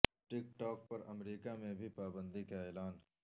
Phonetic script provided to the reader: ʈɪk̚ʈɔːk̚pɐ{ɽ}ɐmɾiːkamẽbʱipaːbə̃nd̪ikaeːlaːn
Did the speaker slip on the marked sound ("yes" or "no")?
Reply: yes